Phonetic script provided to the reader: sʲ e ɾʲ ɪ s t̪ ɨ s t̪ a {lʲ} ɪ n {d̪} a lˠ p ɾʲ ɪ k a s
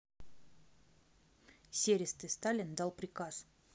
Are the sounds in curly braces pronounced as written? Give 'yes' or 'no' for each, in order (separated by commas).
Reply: yes, yes